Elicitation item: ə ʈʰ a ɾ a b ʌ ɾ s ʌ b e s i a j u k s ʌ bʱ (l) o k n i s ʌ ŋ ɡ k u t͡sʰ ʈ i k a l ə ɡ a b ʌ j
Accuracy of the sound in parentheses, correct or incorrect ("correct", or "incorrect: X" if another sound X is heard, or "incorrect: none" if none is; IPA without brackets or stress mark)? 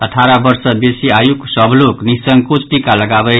correct